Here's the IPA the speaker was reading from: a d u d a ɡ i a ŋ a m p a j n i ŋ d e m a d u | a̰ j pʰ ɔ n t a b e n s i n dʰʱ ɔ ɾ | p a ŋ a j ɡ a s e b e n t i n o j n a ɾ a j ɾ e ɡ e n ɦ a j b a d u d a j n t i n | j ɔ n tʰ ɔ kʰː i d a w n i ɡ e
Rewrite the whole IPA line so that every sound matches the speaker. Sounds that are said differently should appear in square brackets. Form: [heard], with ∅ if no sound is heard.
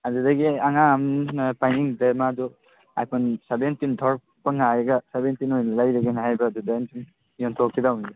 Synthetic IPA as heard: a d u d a ɡ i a ŋ a m p a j n i ŋ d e m a d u | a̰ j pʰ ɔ n [s] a b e n [t] i n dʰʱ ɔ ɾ | p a ŋ a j ɡ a s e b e n t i n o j n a [l] a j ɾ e ɡ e n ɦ a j b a d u d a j n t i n | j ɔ n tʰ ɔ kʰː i d a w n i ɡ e